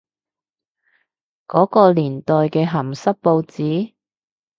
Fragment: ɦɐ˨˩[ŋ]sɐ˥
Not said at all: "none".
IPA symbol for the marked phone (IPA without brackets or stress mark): m